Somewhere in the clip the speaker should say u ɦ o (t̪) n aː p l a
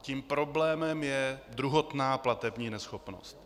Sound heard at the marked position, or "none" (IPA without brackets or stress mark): t̪